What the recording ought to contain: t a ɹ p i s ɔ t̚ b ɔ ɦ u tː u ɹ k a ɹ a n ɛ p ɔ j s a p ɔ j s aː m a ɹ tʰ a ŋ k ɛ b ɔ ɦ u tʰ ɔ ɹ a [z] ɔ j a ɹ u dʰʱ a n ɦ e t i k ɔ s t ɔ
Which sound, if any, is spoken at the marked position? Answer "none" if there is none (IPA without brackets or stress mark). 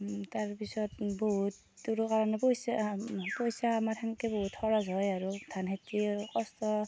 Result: z